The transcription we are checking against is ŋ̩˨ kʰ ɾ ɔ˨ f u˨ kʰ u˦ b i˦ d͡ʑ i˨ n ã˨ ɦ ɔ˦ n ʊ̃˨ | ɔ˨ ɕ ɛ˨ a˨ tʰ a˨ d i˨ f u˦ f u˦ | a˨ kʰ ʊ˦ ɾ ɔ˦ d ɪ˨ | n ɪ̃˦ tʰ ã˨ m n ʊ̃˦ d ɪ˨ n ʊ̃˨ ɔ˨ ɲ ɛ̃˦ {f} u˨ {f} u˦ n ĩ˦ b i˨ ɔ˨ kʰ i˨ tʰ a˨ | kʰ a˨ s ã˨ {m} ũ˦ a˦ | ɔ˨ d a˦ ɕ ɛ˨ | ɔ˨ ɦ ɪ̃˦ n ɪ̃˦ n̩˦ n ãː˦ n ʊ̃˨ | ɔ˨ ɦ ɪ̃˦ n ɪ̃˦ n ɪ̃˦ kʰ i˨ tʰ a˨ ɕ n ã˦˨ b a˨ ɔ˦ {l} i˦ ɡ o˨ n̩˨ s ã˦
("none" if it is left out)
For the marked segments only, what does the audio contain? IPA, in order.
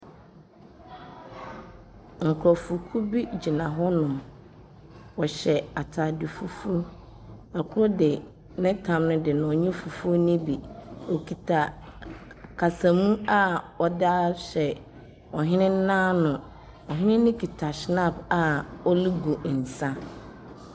f, f, m, l

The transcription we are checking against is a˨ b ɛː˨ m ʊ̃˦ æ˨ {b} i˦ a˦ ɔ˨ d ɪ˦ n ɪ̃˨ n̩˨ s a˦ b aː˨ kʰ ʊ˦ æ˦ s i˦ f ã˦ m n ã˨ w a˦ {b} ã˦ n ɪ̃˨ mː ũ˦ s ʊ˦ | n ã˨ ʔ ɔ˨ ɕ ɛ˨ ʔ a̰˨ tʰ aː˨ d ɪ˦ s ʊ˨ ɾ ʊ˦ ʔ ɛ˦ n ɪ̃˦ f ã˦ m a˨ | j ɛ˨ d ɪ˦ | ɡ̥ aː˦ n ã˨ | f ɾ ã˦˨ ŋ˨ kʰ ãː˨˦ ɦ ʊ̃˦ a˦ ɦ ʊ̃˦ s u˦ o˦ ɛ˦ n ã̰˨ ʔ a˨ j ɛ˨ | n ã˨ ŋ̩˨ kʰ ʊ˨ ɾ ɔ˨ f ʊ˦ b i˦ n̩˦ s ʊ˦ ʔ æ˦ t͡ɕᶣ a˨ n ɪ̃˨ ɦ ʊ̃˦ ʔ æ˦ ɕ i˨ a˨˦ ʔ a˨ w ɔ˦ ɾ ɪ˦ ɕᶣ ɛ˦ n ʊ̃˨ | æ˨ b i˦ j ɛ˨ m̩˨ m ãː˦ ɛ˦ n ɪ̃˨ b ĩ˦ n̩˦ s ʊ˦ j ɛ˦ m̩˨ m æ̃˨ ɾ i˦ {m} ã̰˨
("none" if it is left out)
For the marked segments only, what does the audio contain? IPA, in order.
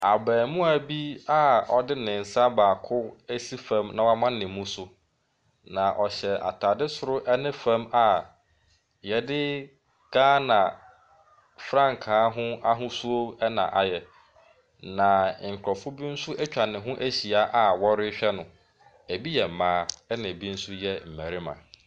b, m, m

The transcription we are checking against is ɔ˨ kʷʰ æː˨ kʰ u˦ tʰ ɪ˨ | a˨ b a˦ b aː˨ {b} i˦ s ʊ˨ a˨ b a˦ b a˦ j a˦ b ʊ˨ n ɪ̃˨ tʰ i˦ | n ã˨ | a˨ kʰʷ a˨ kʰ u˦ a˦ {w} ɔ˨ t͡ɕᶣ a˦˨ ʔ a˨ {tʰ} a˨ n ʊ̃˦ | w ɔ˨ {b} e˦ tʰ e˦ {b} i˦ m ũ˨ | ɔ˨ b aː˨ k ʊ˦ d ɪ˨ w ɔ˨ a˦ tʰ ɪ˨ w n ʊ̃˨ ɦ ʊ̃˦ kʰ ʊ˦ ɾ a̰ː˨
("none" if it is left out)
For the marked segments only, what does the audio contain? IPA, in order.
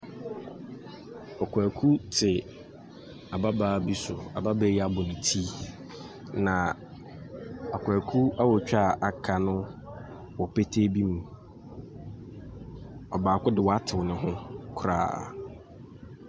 b, w, kʰ, p, b

